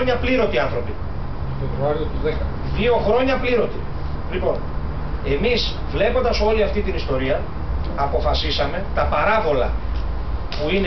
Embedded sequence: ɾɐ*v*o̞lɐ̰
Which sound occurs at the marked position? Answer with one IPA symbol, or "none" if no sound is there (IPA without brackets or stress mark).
v